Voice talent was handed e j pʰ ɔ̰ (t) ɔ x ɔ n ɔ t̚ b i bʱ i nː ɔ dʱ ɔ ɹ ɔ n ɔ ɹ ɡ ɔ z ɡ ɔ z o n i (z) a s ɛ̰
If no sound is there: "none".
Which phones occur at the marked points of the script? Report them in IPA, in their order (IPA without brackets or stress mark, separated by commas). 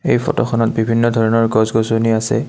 t, none